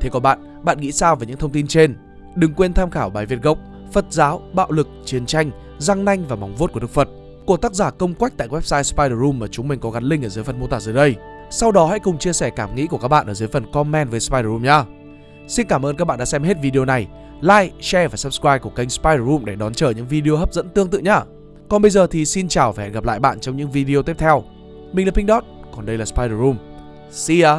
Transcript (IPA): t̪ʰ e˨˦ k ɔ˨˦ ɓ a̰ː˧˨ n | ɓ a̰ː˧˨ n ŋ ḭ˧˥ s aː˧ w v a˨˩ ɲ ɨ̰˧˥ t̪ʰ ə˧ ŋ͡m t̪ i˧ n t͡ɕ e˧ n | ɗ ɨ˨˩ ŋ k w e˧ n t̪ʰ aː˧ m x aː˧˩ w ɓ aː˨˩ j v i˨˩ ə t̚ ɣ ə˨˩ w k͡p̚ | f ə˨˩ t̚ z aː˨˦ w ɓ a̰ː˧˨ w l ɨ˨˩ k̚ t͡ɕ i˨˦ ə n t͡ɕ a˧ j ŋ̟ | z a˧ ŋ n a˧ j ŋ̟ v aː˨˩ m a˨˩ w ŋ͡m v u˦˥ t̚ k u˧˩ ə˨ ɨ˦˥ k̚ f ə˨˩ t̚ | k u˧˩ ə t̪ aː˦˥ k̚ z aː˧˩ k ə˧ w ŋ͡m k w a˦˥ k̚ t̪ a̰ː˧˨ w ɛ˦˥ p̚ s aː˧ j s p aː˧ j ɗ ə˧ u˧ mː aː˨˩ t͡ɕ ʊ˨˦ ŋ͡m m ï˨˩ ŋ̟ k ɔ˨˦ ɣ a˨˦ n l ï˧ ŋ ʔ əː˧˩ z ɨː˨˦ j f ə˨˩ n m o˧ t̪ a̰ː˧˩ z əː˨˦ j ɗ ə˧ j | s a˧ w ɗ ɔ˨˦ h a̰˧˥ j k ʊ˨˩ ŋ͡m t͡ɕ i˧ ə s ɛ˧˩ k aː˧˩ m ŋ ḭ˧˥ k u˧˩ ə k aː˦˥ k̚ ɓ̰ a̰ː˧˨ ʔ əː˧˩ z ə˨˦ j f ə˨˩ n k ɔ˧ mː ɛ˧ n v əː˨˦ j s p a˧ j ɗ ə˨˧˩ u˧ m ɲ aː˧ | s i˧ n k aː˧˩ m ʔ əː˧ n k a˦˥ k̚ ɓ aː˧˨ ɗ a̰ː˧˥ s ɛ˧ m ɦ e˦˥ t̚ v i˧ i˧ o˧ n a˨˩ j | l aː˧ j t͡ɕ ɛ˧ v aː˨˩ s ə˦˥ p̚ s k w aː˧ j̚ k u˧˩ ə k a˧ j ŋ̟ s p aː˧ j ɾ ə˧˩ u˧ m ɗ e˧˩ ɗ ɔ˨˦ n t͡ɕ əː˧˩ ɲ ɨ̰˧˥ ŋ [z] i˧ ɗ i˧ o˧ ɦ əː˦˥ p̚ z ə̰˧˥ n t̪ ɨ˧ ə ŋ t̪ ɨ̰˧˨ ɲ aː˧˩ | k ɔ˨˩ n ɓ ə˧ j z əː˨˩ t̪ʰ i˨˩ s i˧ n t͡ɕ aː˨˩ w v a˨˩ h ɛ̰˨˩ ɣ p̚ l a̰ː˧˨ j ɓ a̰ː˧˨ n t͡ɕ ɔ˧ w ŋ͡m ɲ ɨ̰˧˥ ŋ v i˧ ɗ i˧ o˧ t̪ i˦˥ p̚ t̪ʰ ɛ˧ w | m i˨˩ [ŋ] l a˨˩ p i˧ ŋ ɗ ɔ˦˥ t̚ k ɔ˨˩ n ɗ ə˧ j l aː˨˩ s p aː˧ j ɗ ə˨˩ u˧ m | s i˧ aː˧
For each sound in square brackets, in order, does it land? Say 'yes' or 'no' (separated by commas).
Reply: no, yes